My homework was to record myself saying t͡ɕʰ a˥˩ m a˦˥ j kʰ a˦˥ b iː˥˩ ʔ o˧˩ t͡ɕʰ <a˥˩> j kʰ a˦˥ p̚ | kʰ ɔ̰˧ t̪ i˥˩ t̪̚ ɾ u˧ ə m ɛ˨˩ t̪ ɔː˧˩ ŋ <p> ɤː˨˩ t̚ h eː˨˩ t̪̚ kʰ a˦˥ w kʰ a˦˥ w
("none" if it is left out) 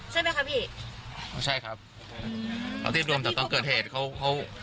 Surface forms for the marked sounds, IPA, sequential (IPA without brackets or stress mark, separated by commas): a˥˩, k